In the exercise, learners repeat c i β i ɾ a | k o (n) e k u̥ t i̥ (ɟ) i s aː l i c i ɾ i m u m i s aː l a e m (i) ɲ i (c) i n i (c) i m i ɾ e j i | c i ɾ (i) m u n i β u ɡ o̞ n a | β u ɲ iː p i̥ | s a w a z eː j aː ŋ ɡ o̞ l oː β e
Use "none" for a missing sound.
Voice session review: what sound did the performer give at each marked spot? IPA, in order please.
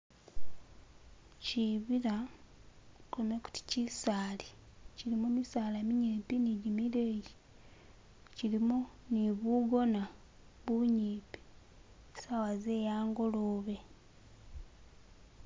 m, c, i, p, ɟ, i

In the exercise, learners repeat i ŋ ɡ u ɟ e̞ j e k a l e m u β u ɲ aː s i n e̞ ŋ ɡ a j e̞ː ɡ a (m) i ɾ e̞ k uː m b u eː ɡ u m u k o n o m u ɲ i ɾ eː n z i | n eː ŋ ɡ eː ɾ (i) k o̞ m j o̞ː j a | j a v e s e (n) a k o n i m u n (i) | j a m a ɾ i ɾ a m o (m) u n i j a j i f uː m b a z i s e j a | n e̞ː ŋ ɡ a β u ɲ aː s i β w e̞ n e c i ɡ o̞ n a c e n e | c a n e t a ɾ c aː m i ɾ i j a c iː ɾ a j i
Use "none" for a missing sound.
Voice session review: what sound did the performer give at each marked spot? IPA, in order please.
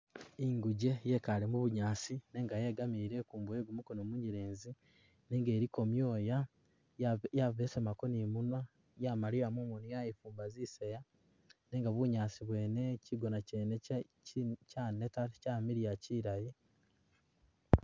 m, i, m, a, m

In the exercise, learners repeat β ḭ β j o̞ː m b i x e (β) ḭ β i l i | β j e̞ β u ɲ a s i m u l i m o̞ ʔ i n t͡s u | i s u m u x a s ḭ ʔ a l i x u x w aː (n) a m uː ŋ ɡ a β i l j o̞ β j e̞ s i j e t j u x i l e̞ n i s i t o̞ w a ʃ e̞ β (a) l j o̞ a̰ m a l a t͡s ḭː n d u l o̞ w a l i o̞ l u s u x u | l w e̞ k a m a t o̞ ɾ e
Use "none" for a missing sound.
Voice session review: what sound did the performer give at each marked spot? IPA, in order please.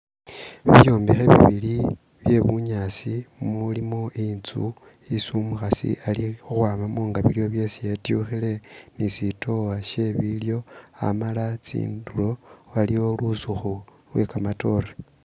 β, m, i

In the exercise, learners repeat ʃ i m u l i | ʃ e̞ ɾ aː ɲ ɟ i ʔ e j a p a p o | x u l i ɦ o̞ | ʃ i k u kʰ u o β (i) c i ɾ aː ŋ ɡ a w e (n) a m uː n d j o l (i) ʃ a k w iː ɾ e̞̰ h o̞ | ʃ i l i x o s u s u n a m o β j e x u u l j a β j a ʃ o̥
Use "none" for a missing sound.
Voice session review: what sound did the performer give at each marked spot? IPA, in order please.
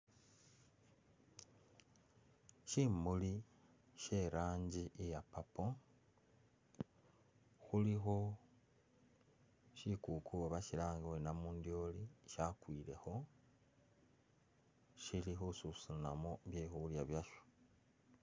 a, n, i

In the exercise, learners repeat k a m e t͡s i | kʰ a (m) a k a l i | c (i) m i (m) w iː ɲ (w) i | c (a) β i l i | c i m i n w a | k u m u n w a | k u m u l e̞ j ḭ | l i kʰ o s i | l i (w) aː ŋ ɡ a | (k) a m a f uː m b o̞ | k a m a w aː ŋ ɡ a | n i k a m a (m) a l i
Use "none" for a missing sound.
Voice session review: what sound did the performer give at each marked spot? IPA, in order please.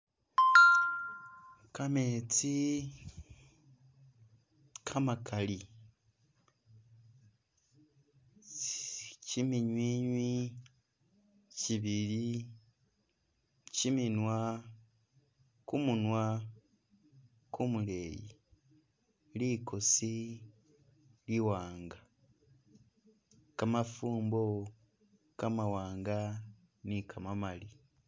m, i, ɲ, w, i, w, k, m

